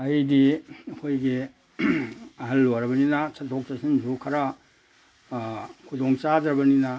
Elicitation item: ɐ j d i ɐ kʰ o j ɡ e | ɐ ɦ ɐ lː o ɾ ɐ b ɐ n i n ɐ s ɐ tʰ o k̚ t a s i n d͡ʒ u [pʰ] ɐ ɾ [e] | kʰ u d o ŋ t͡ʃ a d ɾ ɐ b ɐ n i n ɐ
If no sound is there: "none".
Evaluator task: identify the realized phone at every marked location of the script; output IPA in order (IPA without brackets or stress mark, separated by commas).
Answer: kʰ, a